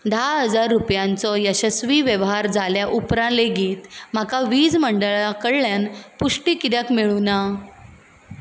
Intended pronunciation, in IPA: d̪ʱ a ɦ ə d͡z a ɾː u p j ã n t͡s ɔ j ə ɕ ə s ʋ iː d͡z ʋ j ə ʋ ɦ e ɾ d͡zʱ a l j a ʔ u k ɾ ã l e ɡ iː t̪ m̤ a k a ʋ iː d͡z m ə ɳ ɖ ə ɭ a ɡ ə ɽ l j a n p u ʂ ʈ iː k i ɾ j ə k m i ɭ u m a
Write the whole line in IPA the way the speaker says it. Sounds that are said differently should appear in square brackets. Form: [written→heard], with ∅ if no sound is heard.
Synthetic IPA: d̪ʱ a ɦ ə d͡z a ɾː u p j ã n t͡s ɔ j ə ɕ ə s ʋ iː [d͡z→∅] ʋ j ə ʋ ɦ [e→a] ɾ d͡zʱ a l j a ʔ u [k→p] ɾ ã l e ɡ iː t̪ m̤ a k a ʋ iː d͡z m ə ɳ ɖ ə ɭ a [ɡ→k] ə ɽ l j a n p u ʂ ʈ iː k i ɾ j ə k m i ɭ u [m→n] a